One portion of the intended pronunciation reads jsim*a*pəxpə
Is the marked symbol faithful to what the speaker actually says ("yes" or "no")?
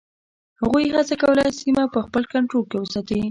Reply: yes